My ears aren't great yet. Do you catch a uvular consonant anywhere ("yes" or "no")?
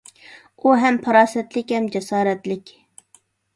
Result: no